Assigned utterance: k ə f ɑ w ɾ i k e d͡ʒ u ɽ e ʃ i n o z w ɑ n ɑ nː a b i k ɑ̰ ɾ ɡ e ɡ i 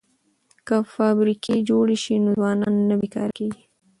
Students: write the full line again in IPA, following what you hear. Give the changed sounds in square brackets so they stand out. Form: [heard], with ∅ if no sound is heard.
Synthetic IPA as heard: k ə f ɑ [b] ɾ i k e d͡ʒ [o] ɽ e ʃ i n o z w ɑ n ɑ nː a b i k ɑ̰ ɾ [k] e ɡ i